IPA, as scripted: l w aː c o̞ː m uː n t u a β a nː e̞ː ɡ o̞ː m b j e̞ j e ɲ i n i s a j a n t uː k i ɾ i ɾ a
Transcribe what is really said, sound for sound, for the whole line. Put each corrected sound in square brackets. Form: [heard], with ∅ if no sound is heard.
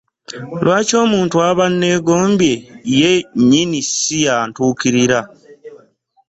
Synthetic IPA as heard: l w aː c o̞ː m uː n t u a β a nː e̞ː ɡ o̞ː m b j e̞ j e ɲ i n i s [i] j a n t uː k i ɾ i ɾ a